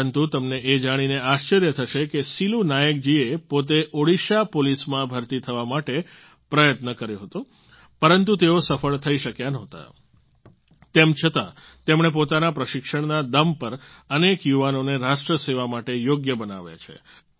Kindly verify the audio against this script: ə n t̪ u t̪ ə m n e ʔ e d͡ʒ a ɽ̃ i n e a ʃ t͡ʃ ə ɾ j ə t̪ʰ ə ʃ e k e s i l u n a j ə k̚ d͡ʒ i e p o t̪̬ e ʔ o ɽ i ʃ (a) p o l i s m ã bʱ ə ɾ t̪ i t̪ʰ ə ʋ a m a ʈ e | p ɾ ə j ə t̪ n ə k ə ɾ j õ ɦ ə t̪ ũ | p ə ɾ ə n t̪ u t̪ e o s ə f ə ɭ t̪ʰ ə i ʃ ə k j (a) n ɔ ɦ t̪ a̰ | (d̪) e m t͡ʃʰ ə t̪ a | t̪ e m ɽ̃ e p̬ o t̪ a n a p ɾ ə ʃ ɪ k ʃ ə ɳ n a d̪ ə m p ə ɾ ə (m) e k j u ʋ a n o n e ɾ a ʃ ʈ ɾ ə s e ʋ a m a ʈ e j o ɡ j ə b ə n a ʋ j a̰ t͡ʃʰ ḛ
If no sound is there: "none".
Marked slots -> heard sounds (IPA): a, a, t̪, n

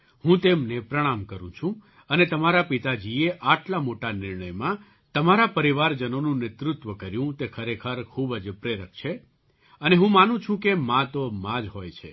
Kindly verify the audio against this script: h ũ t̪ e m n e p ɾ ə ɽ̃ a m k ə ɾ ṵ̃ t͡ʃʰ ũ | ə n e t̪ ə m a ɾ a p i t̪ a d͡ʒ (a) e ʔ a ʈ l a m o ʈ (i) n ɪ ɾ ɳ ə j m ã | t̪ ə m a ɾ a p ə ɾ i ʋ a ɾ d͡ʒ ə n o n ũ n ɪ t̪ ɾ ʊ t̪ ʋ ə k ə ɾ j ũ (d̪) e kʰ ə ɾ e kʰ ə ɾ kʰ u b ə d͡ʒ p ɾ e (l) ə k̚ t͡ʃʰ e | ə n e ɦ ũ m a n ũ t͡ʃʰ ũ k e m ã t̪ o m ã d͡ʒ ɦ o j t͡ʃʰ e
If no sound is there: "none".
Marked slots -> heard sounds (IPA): i, a, t̪, ɾ

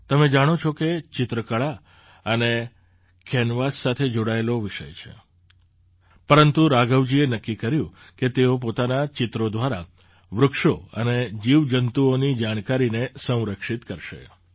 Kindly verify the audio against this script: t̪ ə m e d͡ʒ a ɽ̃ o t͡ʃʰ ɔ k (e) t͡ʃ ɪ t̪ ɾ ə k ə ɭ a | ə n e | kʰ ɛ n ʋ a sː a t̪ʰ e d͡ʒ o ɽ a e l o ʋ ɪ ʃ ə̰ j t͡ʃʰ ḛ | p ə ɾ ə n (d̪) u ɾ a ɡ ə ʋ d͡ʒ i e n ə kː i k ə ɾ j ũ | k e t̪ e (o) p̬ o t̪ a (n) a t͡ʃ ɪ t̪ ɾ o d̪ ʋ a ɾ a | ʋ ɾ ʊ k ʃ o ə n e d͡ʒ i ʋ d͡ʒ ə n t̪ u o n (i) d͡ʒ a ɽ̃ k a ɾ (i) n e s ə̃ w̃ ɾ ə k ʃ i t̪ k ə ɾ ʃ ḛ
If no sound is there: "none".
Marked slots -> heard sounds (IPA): e, t̪, o, n, i, i

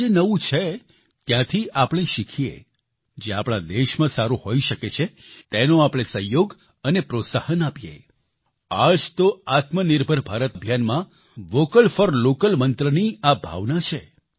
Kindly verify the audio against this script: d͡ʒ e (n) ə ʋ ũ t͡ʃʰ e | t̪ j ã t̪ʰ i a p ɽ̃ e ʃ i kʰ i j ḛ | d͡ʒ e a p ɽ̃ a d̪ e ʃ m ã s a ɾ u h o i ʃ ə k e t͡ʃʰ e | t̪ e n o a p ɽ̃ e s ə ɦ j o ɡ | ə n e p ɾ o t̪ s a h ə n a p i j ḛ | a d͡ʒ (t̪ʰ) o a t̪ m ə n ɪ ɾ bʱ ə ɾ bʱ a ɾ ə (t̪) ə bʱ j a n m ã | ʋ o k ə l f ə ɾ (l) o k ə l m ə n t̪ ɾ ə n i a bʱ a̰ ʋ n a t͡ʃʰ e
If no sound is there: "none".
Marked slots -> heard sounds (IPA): n, t̪, t̪, l

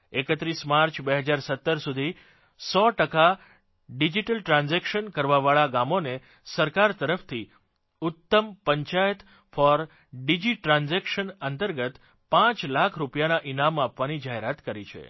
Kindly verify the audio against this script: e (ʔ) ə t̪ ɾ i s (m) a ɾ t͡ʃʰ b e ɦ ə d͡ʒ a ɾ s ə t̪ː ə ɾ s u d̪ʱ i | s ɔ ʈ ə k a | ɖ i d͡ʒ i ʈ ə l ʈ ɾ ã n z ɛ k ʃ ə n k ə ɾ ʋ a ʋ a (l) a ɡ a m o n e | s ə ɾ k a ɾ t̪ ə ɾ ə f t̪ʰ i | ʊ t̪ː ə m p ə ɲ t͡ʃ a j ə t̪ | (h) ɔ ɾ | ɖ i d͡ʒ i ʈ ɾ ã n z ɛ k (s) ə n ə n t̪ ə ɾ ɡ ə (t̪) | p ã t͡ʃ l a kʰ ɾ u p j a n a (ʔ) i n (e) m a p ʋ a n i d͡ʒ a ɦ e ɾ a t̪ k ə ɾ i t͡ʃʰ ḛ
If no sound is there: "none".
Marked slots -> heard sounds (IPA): k, m, ɭ, f, ʃ, t̪, ʔ, a

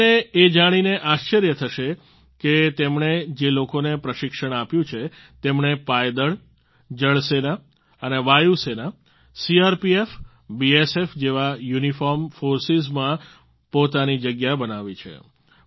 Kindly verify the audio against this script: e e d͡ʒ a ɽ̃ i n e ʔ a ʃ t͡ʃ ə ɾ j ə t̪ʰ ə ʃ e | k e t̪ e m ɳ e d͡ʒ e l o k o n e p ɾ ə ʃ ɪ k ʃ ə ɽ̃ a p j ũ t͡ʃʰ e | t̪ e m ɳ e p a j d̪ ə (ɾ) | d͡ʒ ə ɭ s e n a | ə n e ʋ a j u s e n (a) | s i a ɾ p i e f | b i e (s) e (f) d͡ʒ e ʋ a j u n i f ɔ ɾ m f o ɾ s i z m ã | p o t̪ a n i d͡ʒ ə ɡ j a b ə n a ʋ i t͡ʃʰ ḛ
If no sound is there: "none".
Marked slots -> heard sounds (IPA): ɭ, a, s, f

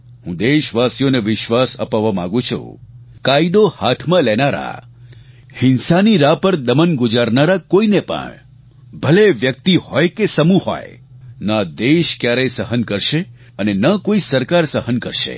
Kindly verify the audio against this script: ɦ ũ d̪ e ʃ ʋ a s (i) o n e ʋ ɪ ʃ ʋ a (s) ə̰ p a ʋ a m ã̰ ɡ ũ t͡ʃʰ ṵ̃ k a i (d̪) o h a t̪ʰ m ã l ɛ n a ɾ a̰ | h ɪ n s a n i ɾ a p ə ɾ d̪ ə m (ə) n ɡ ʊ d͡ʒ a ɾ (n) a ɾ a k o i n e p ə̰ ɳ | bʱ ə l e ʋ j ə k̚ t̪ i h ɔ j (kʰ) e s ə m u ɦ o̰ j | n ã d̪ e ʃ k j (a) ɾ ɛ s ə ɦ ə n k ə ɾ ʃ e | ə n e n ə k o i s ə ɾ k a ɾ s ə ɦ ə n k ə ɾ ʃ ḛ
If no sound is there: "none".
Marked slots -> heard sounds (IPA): j, s, d̪, ə, n, k, a

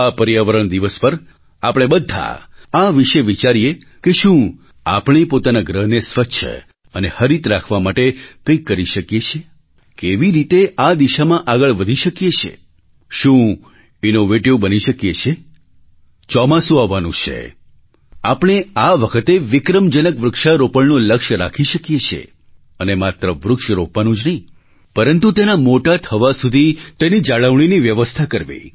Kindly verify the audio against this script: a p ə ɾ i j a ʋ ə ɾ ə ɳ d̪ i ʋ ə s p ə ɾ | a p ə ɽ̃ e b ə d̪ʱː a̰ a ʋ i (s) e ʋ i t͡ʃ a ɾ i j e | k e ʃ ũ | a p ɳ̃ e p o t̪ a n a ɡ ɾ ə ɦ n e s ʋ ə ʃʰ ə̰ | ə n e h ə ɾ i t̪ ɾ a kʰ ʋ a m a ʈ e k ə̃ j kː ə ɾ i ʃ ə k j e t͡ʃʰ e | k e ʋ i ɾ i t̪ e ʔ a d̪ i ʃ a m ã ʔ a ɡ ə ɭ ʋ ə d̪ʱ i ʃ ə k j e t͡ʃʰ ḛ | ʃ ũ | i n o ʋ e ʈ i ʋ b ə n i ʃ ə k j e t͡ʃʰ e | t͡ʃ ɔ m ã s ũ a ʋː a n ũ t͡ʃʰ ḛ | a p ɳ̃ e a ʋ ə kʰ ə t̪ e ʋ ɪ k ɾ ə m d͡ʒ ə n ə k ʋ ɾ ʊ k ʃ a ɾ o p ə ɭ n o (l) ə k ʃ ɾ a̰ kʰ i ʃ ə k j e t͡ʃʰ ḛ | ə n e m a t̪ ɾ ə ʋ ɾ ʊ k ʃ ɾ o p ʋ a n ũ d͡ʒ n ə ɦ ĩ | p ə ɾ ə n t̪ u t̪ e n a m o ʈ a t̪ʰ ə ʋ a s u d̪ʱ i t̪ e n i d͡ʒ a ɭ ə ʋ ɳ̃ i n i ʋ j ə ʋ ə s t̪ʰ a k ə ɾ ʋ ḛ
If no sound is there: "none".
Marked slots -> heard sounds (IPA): ʃ, l

